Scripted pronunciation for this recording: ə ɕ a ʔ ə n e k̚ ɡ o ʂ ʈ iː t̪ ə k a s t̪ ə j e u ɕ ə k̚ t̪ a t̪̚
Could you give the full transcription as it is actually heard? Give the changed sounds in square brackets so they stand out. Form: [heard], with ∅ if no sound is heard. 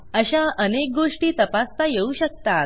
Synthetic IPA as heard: ə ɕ a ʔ ə n e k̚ ɡ o ʂ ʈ iː t̪ ə [p] a s t̪ [a] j e u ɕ ə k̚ t̪ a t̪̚